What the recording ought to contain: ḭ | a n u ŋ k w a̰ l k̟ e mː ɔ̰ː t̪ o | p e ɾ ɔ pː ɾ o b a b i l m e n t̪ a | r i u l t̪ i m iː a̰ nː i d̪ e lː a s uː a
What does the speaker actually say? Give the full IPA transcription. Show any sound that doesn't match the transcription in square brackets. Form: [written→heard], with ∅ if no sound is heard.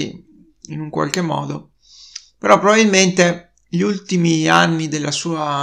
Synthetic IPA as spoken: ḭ | [a→i] n u ŋ k w a̰ l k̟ e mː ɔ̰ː [t̪→d̪] o | p e ɾ ɔ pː ɾ o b a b i l m e n t̪ [a→e] | [r→ʎ] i u l t̪ i m [iː→i] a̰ nː i d̪ e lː a s uː a